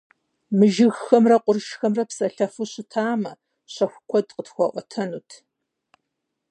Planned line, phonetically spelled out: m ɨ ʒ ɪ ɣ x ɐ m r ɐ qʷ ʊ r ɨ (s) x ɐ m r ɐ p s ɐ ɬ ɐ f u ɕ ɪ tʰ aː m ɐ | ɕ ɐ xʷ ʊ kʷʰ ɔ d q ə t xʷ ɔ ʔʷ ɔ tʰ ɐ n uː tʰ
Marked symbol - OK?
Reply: no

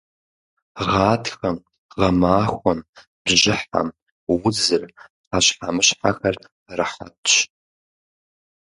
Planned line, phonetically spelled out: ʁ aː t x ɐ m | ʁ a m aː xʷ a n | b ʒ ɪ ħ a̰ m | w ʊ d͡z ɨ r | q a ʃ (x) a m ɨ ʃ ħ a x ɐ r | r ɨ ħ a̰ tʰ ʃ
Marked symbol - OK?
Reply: no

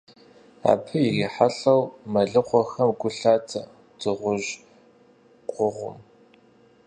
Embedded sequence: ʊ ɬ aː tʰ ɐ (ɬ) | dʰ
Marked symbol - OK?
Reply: no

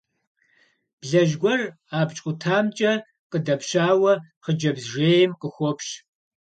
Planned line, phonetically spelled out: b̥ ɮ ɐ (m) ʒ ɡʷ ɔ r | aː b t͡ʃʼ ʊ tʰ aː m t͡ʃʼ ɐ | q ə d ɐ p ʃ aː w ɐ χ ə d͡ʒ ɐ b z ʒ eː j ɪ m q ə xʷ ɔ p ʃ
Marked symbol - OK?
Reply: no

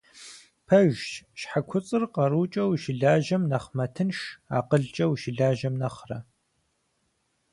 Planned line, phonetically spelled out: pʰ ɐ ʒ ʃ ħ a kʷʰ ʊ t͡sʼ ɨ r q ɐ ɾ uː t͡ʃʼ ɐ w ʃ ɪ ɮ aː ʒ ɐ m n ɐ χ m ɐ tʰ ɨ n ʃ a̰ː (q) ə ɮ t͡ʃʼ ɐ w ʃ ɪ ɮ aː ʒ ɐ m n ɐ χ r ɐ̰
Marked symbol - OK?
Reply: yes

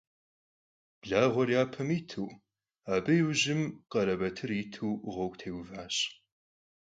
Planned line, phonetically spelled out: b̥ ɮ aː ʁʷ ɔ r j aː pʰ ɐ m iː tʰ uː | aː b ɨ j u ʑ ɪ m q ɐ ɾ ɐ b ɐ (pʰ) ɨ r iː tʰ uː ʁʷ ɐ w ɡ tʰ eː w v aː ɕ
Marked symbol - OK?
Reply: no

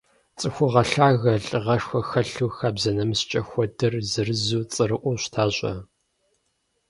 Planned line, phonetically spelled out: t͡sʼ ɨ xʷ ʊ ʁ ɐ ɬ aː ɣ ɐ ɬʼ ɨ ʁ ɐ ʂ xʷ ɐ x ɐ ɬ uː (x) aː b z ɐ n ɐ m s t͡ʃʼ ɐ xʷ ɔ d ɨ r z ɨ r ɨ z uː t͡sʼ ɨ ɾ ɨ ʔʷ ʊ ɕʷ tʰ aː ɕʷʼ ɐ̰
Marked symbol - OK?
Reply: yes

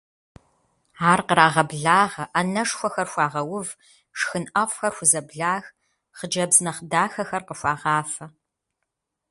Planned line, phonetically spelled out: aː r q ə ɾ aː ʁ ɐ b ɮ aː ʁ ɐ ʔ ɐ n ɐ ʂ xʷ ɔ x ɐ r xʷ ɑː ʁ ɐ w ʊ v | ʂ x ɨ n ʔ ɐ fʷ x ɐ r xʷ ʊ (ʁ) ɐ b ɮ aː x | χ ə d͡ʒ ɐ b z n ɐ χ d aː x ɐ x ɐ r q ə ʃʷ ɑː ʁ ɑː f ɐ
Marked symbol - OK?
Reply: no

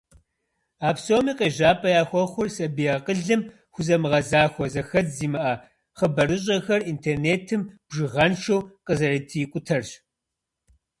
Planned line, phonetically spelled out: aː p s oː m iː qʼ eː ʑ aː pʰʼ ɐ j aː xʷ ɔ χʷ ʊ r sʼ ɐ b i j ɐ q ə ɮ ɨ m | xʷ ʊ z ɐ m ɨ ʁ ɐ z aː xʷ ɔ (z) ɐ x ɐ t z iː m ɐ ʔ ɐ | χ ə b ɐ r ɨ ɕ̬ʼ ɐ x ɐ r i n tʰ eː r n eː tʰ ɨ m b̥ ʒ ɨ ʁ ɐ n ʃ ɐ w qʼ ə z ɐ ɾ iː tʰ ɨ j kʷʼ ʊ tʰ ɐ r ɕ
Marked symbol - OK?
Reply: yes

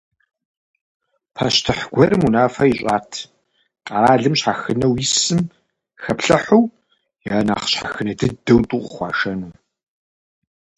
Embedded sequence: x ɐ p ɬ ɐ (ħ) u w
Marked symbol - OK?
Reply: yes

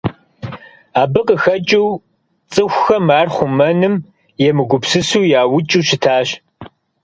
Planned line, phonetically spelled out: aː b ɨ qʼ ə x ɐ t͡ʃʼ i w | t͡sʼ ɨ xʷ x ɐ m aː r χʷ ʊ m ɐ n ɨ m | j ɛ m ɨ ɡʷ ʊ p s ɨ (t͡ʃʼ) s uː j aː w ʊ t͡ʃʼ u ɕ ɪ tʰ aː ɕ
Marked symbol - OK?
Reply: no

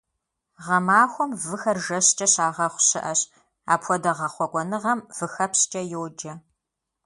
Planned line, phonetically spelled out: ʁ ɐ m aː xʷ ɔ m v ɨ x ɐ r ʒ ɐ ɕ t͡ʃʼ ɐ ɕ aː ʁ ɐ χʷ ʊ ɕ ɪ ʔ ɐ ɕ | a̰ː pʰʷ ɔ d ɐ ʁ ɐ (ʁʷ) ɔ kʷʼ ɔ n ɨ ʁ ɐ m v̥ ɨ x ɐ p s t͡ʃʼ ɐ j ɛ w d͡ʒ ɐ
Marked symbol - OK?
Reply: no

